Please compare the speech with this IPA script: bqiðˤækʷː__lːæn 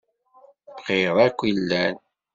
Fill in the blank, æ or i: i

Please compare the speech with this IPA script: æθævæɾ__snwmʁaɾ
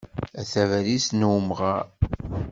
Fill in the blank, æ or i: i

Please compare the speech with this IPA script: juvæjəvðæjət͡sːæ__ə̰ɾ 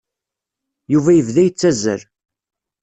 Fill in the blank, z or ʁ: z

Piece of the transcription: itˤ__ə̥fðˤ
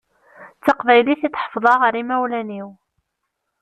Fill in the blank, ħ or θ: ħ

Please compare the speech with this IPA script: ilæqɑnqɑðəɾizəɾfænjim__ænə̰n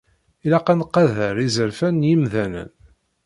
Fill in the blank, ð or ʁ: ð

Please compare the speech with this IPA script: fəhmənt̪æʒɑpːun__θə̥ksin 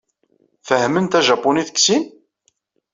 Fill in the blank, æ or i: i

